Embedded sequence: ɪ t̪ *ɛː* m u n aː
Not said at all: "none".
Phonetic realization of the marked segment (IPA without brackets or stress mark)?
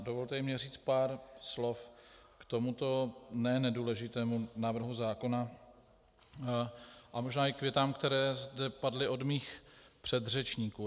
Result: ɛː